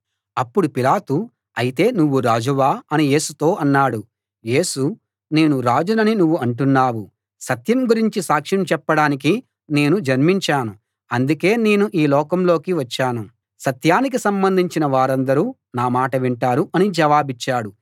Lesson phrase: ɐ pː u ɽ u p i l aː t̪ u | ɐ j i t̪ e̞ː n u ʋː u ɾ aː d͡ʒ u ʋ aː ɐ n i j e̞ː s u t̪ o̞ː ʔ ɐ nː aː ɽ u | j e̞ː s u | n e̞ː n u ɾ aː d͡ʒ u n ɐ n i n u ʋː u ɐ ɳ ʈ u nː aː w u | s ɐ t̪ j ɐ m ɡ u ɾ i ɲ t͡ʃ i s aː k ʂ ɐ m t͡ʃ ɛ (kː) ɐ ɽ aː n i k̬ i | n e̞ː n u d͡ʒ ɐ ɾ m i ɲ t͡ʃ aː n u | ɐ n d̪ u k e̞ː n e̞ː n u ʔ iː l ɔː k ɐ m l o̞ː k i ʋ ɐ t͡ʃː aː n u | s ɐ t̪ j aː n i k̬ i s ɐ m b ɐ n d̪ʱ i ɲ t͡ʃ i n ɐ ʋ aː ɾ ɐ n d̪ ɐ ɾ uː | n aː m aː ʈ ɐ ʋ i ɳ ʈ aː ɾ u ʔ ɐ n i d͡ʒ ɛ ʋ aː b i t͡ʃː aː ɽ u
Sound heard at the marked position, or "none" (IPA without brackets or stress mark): pː